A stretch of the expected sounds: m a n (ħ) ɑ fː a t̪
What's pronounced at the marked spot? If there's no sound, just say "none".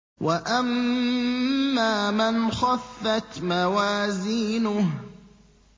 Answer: x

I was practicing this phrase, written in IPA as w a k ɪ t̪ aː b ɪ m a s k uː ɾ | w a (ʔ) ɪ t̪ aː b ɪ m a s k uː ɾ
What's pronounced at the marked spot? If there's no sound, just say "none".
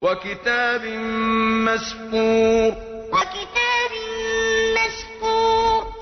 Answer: k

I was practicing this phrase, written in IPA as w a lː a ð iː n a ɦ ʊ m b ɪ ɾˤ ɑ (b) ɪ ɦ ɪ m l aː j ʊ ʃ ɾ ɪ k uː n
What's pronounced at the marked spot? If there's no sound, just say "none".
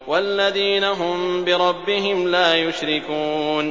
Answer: bː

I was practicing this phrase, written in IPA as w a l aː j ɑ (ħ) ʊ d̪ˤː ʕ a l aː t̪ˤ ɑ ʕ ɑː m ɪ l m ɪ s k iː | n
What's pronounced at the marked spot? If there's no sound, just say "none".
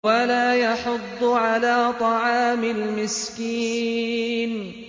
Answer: ħ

